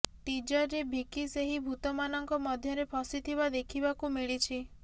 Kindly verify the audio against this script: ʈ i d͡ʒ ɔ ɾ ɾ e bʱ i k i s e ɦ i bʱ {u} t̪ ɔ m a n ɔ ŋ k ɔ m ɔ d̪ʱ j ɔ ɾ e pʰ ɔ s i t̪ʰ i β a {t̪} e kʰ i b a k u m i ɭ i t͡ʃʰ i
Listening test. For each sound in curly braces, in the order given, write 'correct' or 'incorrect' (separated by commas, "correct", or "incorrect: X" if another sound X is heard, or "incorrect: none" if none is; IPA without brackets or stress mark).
correct, incorrect: d̪